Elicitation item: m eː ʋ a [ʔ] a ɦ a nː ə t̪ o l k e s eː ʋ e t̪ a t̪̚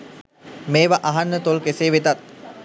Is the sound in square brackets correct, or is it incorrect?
correct